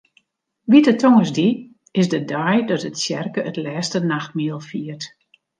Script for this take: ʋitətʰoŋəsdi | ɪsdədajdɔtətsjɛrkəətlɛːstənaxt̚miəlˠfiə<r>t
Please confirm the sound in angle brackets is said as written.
yes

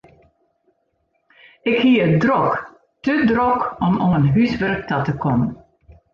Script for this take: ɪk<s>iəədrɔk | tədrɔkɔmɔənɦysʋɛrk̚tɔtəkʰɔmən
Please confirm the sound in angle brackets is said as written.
no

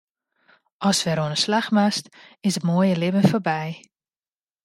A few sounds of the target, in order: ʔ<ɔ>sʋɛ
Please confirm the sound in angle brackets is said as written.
yes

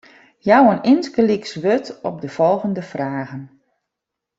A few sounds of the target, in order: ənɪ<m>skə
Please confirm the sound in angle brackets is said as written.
no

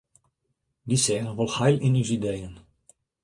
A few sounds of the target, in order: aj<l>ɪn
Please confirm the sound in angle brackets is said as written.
yes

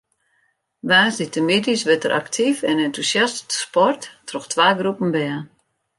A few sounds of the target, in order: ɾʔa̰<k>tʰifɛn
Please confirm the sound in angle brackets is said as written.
yes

